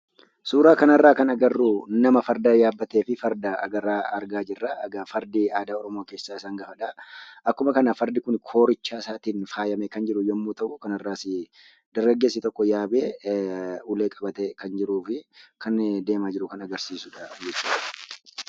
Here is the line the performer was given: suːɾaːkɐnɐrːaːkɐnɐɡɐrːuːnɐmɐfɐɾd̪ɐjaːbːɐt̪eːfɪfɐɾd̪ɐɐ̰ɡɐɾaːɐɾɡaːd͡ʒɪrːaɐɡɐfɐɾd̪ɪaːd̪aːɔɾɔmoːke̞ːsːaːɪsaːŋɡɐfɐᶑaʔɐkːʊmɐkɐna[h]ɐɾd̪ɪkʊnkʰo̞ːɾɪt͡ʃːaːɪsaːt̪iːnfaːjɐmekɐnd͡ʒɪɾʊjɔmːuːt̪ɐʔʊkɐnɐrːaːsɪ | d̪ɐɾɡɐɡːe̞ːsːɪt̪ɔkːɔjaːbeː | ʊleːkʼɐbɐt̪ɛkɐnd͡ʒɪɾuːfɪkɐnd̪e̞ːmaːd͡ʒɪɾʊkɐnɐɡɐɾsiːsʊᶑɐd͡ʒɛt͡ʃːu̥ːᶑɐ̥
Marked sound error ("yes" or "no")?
yes